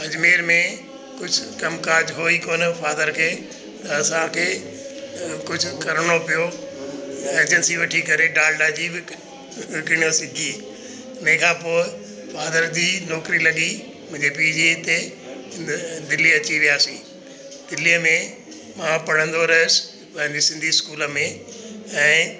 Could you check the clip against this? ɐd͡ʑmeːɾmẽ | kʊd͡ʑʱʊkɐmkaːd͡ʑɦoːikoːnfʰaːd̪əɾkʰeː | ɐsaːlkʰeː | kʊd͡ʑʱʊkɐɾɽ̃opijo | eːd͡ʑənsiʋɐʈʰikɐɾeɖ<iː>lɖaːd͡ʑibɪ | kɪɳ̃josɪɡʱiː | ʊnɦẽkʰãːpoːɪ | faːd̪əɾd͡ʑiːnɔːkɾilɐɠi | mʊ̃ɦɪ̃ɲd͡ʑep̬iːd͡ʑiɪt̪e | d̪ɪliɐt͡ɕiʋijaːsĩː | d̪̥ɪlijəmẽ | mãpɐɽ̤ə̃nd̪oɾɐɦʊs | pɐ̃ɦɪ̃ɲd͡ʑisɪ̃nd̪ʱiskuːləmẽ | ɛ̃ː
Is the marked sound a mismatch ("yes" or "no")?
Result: yes